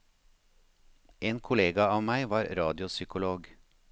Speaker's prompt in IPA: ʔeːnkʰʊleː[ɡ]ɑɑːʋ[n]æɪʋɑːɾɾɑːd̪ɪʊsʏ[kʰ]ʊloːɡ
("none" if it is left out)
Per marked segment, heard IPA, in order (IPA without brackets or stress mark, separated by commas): ɡ, m, k